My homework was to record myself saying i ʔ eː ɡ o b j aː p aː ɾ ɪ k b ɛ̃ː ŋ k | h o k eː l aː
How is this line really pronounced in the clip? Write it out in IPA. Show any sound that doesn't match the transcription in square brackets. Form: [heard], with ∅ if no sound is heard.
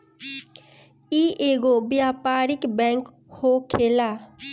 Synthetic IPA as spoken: i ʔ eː ɡ o b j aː p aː ɾ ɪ k b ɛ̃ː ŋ k | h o [kʰ] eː l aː